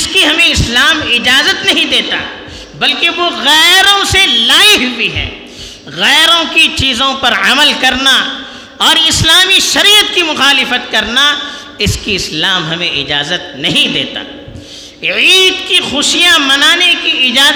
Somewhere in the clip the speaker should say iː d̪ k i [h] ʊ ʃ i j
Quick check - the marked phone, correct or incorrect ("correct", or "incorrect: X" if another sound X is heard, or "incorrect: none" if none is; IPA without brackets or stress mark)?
incorrect: x